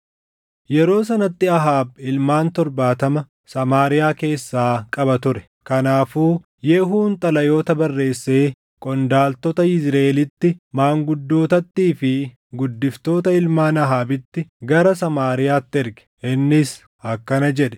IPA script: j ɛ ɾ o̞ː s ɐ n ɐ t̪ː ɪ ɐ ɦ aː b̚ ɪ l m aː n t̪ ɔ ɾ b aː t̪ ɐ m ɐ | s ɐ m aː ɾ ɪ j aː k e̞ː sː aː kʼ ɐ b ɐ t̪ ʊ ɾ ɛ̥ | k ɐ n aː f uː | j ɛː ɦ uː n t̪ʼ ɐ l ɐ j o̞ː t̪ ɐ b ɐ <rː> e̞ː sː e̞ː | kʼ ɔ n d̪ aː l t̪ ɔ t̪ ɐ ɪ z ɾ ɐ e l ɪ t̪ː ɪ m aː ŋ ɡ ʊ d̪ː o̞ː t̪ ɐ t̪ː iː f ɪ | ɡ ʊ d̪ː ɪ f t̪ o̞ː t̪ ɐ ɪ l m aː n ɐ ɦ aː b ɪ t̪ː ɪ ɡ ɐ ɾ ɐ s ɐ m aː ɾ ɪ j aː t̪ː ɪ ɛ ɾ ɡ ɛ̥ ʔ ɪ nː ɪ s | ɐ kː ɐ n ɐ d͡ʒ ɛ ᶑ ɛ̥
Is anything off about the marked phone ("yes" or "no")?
no